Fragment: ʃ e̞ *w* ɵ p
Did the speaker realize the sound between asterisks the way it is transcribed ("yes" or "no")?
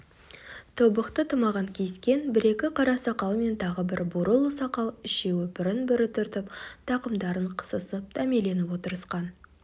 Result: yes